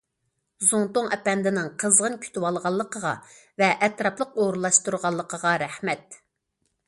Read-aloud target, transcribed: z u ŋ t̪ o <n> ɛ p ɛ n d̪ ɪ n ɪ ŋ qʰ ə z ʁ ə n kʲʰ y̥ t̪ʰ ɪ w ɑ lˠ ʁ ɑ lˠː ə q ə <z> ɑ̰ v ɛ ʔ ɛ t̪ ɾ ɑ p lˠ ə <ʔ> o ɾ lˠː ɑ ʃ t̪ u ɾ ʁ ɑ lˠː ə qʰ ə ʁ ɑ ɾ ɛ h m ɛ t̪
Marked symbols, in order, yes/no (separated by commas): no, no, no